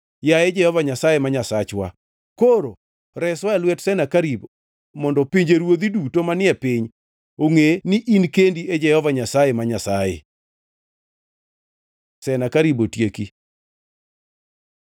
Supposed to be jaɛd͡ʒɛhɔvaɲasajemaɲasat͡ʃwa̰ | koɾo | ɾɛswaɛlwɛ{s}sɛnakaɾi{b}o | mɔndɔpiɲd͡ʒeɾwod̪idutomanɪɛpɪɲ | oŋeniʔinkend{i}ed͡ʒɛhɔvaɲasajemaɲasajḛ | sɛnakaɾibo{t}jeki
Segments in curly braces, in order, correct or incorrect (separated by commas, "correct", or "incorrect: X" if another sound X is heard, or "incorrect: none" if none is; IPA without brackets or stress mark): incorrect: t, correct, correct, correct